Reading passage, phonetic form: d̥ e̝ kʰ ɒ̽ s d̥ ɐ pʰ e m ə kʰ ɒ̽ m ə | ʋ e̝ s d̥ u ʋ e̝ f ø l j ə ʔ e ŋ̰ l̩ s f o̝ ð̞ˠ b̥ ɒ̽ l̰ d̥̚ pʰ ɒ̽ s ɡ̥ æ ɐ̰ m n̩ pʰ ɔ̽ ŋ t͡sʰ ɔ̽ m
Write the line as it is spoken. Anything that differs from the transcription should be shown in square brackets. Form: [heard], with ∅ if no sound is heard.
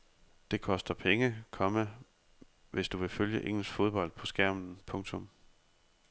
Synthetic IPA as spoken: d̥ e̝ kʰ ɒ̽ s d̥ ɐ pʰ e [ŋ] ə kʰ ɒ̽ m ə | ʋ e̝ s d̥ u ʋ e̝ f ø l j ə ʔ e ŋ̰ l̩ s f o̝ ð̞ˠ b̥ ɒ̽ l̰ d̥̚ pʰ ɒ̽ s ɡ̥ æ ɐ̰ m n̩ pʰ ɔ̽ ŋ t͡sʰ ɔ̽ m